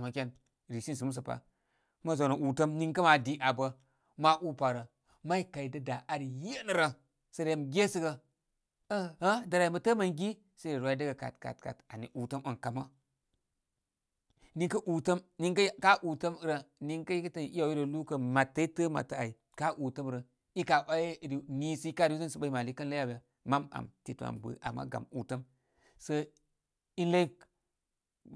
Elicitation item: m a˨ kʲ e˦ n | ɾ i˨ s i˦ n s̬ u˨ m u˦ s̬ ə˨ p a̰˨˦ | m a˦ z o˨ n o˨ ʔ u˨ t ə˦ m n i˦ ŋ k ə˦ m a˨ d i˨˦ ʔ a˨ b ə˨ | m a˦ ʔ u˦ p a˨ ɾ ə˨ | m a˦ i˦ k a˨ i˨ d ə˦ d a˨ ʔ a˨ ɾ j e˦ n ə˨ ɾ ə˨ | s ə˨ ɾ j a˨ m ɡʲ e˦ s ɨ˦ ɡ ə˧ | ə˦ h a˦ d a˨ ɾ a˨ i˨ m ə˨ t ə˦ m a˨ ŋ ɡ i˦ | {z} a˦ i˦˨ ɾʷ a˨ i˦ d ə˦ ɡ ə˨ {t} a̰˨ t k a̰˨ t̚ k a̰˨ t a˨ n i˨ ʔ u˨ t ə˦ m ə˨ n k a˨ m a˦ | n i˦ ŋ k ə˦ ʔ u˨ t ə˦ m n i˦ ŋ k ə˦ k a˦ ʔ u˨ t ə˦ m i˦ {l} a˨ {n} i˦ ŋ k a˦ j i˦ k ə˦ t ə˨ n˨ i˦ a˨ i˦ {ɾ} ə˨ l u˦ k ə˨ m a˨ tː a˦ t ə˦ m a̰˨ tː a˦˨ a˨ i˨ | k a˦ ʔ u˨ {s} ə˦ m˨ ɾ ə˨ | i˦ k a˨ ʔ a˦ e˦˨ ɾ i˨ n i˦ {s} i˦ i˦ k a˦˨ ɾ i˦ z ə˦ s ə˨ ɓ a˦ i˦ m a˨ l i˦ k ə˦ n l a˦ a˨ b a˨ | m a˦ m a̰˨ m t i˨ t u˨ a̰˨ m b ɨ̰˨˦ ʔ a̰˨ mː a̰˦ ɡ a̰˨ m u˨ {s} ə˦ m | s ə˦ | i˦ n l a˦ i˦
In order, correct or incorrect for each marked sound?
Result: incorrect, incorrect, incorrect, correct, correct, incorrect, correct, incorrect

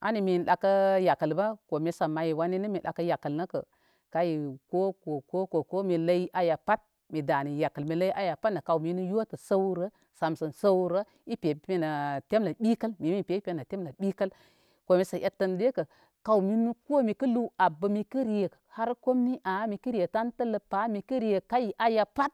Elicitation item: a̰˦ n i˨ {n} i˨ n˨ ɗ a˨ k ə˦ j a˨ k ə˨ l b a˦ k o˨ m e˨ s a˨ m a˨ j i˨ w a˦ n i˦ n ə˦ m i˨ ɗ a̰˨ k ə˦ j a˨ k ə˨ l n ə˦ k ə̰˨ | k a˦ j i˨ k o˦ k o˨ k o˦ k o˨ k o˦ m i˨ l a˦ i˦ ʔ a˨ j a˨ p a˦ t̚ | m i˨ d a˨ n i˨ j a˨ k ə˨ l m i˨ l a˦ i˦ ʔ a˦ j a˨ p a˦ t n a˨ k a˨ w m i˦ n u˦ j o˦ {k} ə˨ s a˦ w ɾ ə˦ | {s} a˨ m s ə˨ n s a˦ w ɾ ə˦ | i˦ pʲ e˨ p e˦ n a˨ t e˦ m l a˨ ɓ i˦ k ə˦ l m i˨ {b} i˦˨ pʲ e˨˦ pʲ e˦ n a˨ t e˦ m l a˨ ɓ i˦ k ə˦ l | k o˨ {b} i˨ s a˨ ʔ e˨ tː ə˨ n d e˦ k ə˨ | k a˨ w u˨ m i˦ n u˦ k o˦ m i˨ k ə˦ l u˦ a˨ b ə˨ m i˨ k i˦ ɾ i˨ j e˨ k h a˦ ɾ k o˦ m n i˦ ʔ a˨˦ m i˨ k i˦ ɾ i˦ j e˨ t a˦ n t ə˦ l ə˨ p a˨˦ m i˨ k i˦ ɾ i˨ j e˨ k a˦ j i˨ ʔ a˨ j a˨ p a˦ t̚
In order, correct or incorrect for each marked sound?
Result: incorrect, incorrect, correct, incorrect, incorrect

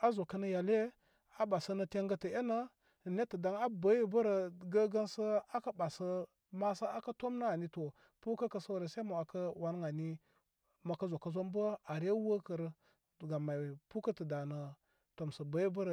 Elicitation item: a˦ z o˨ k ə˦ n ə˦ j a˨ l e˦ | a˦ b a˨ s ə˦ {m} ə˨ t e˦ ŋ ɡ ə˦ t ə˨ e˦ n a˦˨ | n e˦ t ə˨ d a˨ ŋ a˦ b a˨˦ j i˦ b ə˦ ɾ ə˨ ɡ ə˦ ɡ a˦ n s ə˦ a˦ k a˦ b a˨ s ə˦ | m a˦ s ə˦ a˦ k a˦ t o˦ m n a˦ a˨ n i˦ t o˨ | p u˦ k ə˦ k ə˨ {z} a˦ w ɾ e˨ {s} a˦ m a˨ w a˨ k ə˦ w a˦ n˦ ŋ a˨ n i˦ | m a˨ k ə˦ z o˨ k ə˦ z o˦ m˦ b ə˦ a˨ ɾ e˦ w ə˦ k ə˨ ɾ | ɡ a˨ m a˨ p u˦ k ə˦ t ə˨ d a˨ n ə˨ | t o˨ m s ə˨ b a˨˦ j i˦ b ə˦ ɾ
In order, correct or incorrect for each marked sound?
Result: incorrect, incorrect, correct

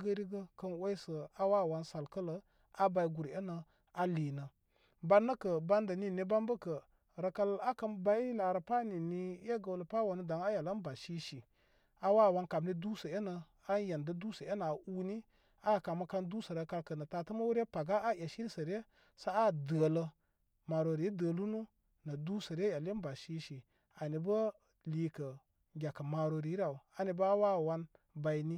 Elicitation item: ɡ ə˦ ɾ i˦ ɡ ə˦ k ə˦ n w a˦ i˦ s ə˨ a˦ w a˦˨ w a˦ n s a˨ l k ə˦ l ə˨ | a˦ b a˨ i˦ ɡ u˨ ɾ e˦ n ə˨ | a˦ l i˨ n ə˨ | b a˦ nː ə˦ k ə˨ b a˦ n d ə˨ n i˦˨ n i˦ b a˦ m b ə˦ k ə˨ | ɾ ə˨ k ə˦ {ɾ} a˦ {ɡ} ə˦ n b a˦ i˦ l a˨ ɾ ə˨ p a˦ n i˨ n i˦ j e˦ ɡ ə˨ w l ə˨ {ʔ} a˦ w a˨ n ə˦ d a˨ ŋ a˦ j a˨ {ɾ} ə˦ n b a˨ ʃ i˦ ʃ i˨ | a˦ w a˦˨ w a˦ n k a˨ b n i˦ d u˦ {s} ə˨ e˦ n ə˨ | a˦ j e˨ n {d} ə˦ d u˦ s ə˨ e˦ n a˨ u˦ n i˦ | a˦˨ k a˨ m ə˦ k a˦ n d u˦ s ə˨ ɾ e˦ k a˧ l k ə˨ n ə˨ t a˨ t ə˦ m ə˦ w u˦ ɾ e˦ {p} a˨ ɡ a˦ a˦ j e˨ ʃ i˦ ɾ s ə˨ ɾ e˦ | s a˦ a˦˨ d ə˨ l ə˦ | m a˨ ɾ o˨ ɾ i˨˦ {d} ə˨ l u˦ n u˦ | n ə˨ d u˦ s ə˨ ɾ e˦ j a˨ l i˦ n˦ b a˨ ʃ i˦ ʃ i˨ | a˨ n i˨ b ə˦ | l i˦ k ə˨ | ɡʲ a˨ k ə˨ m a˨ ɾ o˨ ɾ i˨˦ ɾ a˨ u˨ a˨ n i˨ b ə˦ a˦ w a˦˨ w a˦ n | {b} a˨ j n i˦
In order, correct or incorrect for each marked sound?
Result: incorrect, incorrect, incorrect, incorrect, correct, correct, correct, correct, correct

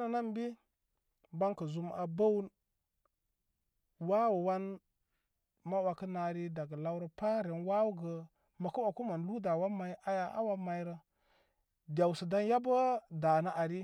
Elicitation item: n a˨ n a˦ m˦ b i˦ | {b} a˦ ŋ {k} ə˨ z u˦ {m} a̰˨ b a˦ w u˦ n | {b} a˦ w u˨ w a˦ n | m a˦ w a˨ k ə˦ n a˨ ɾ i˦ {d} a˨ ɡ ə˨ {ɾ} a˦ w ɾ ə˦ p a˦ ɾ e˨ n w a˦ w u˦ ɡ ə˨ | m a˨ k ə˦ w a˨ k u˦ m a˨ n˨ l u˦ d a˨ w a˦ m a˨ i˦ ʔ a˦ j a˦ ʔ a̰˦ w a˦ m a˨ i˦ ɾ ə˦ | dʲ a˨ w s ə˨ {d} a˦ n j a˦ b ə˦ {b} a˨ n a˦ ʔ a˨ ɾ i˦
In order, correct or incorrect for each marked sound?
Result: correct, correct, correct, incorrect, correct, incorrect, correct, incorrect

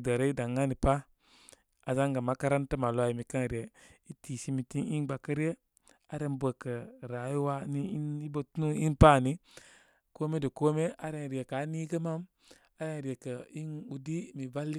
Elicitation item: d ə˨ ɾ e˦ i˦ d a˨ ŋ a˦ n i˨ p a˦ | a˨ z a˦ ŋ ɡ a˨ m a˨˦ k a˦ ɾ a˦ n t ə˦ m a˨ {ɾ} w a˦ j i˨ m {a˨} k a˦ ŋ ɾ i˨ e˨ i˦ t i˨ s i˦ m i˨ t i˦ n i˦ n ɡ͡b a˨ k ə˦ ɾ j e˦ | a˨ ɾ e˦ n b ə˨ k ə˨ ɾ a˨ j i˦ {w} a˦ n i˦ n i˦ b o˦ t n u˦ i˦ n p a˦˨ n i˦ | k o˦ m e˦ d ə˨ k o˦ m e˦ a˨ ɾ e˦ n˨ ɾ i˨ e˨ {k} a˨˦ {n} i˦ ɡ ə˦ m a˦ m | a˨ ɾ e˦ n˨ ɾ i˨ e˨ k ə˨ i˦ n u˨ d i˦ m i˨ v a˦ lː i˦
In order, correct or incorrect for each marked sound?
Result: incorrect, incorrect, correct, correct, correct

